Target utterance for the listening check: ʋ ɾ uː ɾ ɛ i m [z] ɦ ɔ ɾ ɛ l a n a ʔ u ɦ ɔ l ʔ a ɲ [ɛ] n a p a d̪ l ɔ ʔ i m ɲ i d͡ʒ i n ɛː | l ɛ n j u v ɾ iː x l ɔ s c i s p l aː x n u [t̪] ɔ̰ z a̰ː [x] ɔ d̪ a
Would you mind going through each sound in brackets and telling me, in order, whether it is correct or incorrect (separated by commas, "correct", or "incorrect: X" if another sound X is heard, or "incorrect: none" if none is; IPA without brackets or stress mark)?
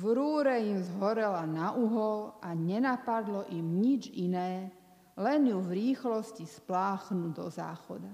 correct, correct, incorrect: d̪, correct